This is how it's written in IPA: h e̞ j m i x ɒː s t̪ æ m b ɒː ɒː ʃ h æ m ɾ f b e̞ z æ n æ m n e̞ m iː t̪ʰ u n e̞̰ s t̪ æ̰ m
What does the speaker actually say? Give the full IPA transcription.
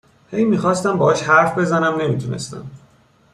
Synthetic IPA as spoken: h e̞ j m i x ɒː s t̪ æ m b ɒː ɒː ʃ h æ ɾ f b e̞ z æ n æ m n e̞ m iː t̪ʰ u n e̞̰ s t̪ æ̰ m